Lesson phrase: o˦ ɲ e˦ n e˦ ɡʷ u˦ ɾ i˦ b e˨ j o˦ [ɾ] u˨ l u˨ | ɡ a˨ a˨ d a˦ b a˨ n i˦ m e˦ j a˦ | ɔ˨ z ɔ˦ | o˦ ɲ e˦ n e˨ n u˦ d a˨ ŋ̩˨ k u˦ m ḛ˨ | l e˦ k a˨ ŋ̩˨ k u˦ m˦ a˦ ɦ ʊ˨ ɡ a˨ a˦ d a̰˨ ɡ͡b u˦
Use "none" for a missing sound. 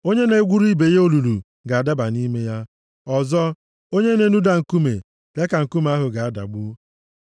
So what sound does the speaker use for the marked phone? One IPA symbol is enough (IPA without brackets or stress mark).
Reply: l